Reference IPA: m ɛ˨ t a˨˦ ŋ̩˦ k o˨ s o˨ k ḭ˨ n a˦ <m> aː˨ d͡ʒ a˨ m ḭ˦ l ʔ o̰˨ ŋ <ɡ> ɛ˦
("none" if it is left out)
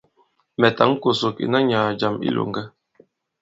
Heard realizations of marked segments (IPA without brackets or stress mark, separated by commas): ɲ, ɡ